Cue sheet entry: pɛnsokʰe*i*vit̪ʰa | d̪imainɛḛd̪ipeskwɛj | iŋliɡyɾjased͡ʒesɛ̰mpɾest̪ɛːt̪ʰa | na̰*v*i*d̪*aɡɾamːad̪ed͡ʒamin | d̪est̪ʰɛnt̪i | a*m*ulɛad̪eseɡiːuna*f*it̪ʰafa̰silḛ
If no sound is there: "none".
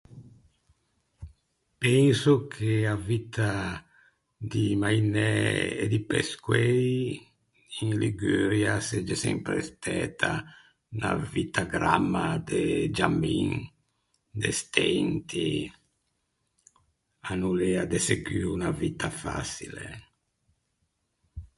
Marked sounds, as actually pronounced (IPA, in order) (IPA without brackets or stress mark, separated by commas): a, v, t̪, n, v